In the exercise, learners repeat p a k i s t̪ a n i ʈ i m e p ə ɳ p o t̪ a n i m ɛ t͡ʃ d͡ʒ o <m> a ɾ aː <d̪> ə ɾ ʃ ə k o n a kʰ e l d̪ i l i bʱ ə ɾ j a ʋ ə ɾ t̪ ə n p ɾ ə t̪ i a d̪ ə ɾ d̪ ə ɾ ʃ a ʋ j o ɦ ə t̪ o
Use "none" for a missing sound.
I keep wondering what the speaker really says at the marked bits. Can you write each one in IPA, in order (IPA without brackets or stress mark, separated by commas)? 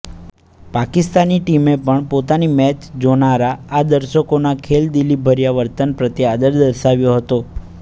n, d̪